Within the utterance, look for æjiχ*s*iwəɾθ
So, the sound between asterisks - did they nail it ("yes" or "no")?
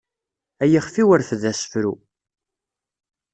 no